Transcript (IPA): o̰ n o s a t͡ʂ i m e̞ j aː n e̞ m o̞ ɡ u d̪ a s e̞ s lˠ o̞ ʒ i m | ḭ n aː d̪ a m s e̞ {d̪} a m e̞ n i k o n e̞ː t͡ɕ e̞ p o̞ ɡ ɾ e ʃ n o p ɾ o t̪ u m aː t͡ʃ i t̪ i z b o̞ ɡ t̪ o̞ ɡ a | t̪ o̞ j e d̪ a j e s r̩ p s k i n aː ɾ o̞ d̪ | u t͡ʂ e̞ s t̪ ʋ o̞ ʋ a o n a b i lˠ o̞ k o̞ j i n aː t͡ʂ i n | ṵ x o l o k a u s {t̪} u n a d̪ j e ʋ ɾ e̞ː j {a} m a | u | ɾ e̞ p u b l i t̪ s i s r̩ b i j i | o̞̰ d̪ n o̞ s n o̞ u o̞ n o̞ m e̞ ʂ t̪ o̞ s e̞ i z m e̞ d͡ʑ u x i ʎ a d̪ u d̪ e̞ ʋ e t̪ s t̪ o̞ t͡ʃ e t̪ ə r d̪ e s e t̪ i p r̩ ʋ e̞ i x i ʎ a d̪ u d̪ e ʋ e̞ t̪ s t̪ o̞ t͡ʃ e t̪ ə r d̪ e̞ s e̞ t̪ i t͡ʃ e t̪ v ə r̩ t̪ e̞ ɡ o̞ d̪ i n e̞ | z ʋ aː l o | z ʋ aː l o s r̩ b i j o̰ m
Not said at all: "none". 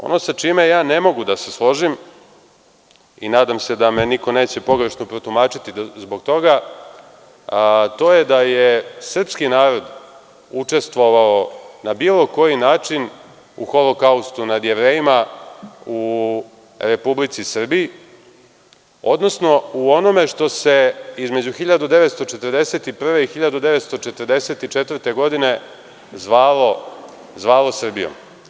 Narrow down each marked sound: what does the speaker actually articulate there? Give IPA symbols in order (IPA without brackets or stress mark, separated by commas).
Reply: d̪, t̪, i